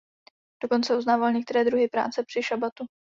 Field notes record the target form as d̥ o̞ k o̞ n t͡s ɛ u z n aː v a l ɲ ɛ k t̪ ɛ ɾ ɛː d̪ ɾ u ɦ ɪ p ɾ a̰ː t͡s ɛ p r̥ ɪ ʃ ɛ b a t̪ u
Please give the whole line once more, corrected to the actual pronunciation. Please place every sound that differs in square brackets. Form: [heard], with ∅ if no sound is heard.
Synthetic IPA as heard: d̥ o̞ k o̞ n t͡s ɛ u z n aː v a l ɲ ɛ k t̪ ɛ ɾ ɛː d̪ ɾ u ɦ ɪ p ɾ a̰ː t͡s ɛ p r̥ ɪ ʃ [a] b a t̪ u